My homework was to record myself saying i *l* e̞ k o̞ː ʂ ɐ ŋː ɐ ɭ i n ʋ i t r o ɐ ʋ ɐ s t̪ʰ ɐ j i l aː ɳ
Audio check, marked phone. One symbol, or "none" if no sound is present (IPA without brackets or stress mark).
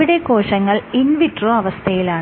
ɽ